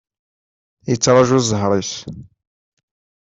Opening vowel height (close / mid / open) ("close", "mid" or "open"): mid